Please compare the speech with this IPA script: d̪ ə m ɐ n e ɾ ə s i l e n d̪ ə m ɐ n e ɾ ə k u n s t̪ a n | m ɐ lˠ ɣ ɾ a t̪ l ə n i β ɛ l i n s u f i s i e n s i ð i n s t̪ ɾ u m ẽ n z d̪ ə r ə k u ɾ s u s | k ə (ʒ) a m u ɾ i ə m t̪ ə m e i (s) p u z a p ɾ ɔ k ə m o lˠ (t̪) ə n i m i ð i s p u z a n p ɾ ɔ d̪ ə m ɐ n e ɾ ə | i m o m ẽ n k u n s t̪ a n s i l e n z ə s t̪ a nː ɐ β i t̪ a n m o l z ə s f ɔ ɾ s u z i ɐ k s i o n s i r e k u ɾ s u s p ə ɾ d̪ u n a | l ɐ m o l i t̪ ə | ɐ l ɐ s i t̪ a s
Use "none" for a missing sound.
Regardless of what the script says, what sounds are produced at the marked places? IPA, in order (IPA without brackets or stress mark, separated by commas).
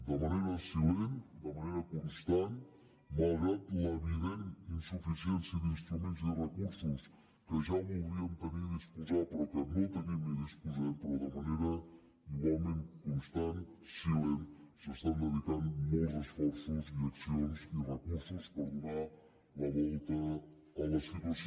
ʒ, s, t̪